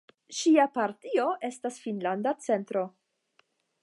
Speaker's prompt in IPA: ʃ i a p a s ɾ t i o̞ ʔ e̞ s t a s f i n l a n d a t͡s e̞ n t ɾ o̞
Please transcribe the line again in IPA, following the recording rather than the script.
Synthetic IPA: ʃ i a p a ɾ t i o̞ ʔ e̞ s t a s f i n l a n d a t͡s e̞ n t ɾ o̞